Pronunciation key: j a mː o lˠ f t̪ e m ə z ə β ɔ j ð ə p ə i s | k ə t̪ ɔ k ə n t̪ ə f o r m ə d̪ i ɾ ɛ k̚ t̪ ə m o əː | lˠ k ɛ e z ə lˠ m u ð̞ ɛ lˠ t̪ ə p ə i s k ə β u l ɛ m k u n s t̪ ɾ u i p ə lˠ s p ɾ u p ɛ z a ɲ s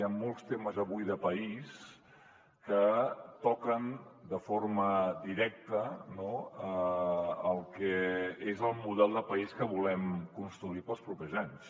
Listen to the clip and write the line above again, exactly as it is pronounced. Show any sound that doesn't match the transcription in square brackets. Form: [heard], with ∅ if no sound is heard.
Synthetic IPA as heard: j a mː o lˠ [s] t̪ e m ə z ə β [u] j ð ə p ə i s | k ə t̪ ɔ k ə n [d̪] ə f o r m ə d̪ i ɾ ɛ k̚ t̪ ə [n] o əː | lˠ k ɛ e z ə lˠ m u ð̞ ɛ lˠ [d̪] ə p ə i s k ə β u l ɛ m k u n s t̪ ɾ u i p ə lˠ s p ɾ u p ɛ z a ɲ s